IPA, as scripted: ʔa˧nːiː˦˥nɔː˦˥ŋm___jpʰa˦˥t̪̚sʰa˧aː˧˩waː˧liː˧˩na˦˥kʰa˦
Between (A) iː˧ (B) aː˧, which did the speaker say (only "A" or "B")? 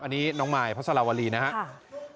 B